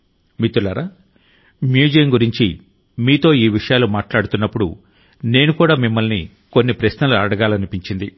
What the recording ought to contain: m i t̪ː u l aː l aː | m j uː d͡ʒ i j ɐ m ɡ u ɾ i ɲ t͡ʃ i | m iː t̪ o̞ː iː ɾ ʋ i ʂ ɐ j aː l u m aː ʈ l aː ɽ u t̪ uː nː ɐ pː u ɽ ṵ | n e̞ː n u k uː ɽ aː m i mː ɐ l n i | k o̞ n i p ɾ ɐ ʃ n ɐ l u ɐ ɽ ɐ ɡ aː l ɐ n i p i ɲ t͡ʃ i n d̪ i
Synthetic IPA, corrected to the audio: m i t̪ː u l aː ɾ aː | m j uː d͡ʒ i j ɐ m ɡ u ɾ i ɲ t͡ʃ i | m iː t̪ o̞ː iː ʋ i ʂ ɐ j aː l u m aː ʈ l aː ɽ u t̪ u nː ɐ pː u ɽ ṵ | n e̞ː n u k uː ɽ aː m i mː ɐ l n i | k o̞ nː i p ɾ ɐ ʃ n ɐ l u ɐ ɽ ɐ ɡ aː l ɐ n i p i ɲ t͡ʃ i n d̪ i